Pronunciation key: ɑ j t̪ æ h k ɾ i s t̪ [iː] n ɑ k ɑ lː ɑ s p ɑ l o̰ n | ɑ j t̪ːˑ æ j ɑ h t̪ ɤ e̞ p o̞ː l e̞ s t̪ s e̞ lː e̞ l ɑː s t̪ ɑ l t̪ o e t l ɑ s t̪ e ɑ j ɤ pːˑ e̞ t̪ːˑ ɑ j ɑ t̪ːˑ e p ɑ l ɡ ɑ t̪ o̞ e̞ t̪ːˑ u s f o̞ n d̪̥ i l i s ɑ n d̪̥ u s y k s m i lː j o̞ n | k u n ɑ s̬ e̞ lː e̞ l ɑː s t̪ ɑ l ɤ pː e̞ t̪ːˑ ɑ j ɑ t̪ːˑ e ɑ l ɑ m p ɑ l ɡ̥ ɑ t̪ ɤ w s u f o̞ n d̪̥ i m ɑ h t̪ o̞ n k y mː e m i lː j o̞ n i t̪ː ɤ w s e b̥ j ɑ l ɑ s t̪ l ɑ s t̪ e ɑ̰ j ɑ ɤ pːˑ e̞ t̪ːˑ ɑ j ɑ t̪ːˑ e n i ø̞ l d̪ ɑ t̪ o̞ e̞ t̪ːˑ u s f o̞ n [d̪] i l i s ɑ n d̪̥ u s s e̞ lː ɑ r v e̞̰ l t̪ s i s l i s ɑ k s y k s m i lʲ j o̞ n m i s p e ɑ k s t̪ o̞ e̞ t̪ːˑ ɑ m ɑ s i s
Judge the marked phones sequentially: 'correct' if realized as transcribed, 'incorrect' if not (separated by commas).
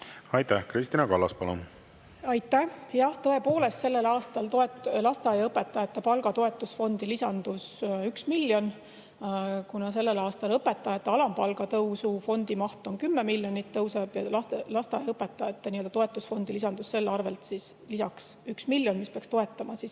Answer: incorrect, correct